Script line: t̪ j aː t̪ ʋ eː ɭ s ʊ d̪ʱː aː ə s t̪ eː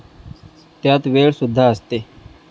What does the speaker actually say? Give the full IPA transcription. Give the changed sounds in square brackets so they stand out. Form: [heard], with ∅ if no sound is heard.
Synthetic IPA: t̪ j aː t̪ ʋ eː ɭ s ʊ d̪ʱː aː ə s t̪ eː

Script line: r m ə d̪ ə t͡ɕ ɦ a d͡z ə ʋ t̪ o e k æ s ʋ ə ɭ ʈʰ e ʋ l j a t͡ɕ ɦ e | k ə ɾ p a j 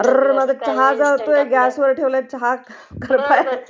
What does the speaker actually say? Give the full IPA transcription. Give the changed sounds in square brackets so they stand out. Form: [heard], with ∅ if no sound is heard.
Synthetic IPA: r m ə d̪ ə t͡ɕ ɦ a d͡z [a] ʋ t̪ o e [ɡ] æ s ʋ ə [ɾ] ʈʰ e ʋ l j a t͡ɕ ɦ [a] | k ə ɾ p a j

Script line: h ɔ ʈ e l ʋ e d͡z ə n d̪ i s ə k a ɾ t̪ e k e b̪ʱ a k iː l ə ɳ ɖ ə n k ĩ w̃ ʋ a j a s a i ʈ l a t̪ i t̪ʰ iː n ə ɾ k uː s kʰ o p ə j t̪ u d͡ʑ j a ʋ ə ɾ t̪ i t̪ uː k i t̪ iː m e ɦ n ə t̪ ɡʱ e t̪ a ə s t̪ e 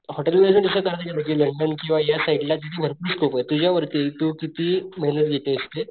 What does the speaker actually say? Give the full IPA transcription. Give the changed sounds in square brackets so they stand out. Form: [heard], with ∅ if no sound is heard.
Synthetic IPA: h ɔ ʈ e l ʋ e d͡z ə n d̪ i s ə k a ɾ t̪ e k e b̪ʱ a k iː l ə ɳ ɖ ə n k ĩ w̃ ʋ a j a s a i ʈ l a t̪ i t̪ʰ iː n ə ɾ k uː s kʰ o p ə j t̪ u d͡ʑ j a ʋ ə ɾ t̪ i t̪ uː k i t̪ iː m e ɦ n ə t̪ ɡʱ e t̪ [e] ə s t̪ e

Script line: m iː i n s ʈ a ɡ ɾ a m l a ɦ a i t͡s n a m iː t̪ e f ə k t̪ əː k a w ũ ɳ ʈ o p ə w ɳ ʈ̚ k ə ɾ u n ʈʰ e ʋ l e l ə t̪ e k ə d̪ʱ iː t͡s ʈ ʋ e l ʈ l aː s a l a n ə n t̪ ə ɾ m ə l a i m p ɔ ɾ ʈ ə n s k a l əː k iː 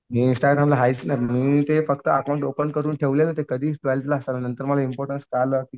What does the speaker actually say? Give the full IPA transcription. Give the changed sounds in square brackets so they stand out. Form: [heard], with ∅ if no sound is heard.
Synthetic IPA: m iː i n s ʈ a ɡ ɾ a m l a ɦ a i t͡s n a m iː t̪ e f ə k t̪ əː k a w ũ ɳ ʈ o p ə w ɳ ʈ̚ k ə ɾ [uː] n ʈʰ e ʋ l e l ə t̪ e k ə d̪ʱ iː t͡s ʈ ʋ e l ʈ l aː s a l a n ə n t̪ ə ɾ m ə l a i m p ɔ ɾ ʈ ə n s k a l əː k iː

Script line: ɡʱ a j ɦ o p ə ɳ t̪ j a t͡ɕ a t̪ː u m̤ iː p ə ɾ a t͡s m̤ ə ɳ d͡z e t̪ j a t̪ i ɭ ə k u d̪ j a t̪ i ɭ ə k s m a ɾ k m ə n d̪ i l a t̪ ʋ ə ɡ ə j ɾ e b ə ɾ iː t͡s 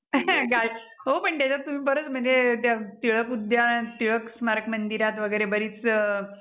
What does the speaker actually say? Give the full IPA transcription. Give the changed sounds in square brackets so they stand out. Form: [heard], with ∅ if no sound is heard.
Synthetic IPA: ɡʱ a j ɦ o p ə ɳ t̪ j a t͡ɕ a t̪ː u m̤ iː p ə ɾ [ə] t͡s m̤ ə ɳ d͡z e t̪ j a t̪ i ɭ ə k u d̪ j a t̪ i ɭ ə k s m a ɾ k m ə n d̪ i [ɾ] a t̪ ʋ ə ɡ ə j ɾ e b ə ɾ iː t͡s

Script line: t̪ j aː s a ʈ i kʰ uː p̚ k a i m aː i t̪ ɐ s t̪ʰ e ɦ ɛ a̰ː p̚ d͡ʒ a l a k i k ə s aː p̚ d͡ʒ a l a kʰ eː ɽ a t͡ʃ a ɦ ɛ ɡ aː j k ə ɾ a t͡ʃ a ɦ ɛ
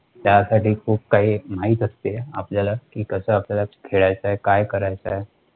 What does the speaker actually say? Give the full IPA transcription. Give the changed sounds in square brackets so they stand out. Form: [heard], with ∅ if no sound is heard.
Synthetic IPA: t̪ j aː s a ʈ i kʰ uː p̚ k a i m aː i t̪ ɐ s [t̪] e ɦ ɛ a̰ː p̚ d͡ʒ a l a k i k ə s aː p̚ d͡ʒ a l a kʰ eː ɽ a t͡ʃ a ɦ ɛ [k] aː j k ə ɾ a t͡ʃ a ɦ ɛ

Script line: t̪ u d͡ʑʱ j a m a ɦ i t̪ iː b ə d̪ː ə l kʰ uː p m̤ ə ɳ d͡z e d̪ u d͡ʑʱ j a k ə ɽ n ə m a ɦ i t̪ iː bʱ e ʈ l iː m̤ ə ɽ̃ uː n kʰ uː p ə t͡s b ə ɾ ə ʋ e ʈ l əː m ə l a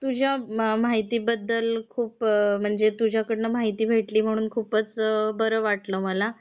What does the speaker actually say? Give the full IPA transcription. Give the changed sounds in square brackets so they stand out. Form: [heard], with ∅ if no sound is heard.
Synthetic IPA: t̪ u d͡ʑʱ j a m a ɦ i t̪ iː b ə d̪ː ə l kʰ uː p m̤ ə ɳ d͡z e [t̪] u d͡ʑʱ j a k ə ɽ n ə m a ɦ i t̪ iː bʱ e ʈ l iː m̤ ə ɽ̃ uː n kʰ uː p ə t͡s b ə ɾ ə ʋ [a] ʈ l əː m ə l a

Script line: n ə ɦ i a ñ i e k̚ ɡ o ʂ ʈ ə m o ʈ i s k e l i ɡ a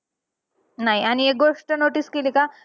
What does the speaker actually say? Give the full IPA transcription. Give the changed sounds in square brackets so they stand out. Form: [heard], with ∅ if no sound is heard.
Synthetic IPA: n [a] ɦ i a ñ i e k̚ ɡ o ʂ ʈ ə [n] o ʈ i s k e l i [k] a

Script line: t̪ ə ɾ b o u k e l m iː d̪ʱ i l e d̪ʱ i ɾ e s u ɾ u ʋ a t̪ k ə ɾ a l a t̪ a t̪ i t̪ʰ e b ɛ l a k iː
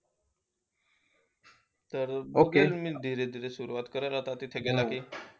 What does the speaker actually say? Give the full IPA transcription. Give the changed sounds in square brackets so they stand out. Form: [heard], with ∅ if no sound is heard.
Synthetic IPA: t̪ ə ɾ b o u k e l m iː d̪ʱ i [ɾ] e d̪ʱ i ɾ e s u ɾ u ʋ a t̪ k ə ɾ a l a t̪ a t̪ i t̪ʰ e [ɡ] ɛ l a k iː

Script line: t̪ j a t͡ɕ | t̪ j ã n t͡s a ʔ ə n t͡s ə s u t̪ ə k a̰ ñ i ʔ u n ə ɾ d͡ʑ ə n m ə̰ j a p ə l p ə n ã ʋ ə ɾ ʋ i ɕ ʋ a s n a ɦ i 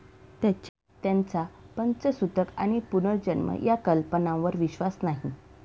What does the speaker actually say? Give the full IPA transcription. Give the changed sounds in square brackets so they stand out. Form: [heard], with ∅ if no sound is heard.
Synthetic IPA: t̪ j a t͡ɕ | t̪ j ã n t͡s a [p] ə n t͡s ə s u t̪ ə k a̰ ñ i [p] u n ə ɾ d͡ʑ ə n m ə̰ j a [k] ə l p ə n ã ʋ ə ɾ ʋ i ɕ ʋ a s n a ɦ i

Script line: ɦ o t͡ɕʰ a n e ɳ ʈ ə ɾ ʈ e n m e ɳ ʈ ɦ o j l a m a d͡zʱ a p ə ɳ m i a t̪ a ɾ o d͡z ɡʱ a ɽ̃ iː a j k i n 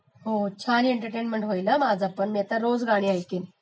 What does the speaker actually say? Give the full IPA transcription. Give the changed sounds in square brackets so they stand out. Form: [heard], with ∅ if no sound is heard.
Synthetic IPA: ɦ o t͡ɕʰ a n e ɳ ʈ ə ɾ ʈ e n m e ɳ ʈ ɦ o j l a m a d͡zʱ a p ə ɳ m i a t̪ a ɾ o d͡z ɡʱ a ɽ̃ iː a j k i n

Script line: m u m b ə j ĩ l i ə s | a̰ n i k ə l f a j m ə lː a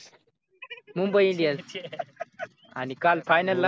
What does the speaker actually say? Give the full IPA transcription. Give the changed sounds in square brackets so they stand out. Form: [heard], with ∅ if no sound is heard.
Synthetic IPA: m u m b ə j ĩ l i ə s | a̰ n i k [a] l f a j [n] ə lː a

